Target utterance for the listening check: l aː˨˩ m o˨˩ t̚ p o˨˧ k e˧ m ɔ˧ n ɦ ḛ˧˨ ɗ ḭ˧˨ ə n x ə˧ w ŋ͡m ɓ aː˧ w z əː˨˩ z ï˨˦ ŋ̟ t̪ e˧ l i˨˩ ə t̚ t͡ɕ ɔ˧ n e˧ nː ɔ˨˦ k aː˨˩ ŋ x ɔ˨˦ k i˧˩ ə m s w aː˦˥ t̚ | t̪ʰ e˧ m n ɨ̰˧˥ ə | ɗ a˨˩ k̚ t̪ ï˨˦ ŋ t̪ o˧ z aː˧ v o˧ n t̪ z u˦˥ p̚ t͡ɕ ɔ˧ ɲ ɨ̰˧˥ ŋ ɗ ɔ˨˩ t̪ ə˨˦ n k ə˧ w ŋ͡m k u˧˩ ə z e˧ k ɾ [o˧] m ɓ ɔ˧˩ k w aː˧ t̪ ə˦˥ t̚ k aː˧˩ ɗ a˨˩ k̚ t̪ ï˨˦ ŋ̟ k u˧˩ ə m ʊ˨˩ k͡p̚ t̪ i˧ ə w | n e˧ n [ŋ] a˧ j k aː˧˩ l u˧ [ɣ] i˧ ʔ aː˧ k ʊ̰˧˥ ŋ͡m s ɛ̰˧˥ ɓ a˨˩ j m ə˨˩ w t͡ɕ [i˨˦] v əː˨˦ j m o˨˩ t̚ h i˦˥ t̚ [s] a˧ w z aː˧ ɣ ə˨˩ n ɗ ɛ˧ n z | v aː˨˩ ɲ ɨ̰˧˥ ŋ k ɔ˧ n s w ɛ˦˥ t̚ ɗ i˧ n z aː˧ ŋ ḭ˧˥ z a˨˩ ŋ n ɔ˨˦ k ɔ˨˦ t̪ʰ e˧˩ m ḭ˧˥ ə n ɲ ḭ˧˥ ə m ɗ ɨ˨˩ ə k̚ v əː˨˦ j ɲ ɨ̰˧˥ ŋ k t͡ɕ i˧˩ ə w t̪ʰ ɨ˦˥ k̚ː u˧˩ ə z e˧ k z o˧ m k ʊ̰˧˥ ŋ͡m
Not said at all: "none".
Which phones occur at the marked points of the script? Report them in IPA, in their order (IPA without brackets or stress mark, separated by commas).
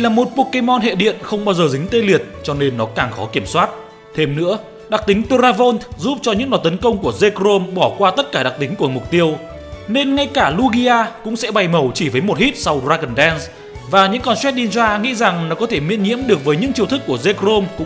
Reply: o˧, ŋ, ɣ, i˧˩, s